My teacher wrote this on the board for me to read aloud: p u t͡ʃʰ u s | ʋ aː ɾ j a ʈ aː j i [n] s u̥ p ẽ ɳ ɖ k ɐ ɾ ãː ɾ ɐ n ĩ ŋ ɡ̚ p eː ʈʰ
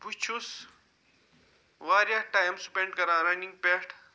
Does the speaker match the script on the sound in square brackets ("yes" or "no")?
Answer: no